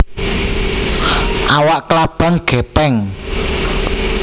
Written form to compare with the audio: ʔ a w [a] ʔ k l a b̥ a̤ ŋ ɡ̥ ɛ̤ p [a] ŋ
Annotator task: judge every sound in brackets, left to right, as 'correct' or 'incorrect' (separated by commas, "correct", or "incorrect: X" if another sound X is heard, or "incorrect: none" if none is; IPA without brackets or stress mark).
correct, incorrect: ɛ